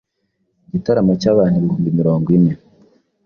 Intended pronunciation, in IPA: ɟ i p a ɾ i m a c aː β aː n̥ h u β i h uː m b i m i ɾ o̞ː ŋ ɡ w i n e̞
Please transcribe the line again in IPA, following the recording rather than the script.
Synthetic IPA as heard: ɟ i t a ɾ a m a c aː β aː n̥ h u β i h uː m b i m i ɾ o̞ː ŋ ɡ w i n e̞